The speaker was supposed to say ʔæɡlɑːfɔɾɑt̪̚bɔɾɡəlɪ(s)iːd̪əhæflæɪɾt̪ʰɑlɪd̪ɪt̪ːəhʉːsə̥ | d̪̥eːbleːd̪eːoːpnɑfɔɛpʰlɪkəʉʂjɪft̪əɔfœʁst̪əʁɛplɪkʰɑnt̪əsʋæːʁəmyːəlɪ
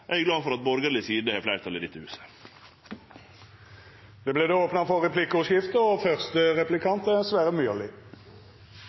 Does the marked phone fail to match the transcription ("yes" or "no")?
no